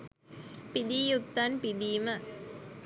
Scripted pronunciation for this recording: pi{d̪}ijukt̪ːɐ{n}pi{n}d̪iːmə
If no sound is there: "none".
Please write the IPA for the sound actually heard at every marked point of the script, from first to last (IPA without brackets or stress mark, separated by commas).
d̪, n, none